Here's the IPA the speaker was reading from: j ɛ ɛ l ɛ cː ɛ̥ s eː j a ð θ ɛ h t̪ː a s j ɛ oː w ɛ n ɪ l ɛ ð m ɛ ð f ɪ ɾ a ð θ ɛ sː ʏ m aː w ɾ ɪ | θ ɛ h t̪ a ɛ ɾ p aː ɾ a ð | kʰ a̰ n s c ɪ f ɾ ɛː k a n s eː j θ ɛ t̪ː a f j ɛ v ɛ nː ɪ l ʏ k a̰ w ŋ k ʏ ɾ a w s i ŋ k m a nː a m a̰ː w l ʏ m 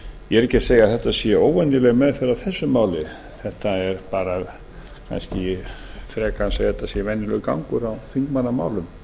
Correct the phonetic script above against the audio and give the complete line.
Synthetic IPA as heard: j ɛ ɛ ɾ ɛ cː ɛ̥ s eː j a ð θ ɛ h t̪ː a s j ɛ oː w ɛ n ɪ l ɛ ɣ m ɛ ð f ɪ ɾ a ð θ ɛ sː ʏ m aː w l ɪ | θ ɛ h t̪ a ɛ ɾ p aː ɾ a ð | kʰ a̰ n s c ɪ f ɾ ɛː k a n s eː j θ ɛ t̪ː a s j ɛ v ɛ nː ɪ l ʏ k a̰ w ŋ k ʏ ɾ a w θ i ŋ k m a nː a m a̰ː w l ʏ m